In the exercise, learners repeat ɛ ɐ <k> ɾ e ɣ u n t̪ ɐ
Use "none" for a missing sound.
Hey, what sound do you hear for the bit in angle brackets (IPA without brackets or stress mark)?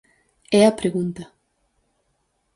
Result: p